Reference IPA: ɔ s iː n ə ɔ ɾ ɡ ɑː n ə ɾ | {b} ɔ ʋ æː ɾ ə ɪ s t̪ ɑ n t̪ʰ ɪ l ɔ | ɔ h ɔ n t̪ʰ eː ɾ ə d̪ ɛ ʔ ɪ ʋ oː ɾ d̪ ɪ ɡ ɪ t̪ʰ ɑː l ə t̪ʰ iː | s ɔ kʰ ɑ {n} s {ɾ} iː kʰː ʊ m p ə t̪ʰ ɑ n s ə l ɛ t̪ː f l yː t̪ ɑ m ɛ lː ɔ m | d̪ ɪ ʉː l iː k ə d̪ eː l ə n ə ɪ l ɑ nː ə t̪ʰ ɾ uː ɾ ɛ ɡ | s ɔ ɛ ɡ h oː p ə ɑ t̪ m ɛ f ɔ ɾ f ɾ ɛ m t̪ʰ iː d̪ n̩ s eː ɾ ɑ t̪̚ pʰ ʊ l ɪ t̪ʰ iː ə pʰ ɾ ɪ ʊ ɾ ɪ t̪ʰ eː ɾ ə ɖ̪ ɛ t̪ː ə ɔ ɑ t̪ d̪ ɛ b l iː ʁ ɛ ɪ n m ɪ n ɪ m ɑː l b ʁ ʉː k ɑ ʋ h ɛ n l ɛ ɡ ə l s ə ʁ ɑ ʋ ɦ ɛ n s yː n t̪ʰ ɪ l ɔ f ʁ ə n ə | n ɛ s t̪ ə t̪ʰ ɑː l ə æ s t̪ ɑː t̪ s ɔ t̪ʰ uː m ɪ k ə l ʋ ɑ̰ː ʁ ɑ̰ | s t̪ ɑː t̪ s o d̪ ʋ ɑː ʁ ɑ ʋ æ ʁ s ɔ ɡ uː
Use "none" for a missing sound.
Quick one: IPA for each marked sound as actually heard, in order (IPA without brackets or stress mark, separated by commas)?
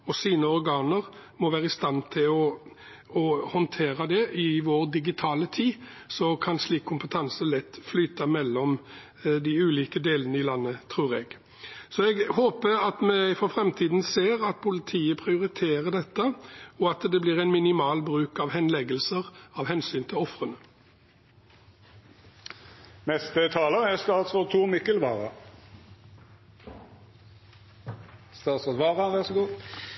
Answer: m, n, l